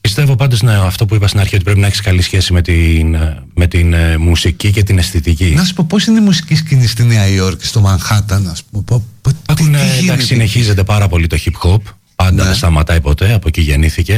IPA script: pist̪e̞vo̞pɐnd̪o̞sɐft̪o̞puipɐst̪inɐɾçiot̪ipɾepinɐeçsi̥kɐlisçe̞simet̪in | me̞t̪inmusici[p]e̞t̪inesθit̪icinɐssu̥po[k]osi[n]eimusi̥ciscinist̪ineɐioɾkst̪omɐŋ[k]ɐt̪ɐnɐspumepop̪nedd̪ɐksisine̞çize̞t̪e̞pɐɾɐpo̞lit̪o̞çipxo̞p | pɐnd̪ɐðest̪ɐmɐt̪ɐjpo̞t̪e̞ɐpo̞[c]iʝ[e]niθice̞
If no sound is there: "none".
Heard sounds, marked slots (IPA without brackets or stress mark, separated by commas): c, p, n, x, c, e